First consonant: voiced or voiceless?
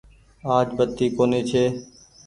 voiced